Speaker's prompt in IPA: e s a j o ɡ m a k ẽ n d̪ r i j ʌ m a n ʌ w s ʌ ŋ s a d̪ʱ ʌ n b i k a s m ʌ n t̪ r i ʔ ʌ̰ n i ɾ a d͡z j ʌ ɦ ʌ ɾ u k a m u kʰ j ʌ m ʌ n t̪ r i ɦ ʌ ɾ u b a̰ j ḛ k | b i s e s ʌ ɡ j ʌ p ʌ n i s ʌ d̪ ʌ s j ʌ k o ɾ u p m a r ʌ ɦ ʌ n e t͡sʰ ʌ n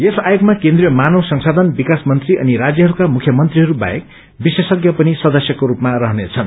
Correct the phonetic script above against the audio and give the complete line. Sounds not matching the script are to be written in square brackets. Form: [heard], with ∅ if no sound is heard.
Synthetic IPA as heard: e s a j o ɡ m a k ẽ n d̪ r i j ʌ m a n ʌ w s ʌ ŋ s a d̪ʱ ʌ n b i k a s m ʌ n t̪ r i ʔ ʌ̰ n i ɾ a d͡z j ʌ ɦ ʌ ɾ u k a m u kʰ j ʌ m ʌ n t̪ r i ɦ ʌ ɾ u b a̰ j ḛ k | b i s e s ʌ ɡ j ʌ p ʌ n i s ʌ d̪ ʌ s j ʌ k o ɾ u p m a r ʌ ɦ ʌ n e t͡sʰ ʌ n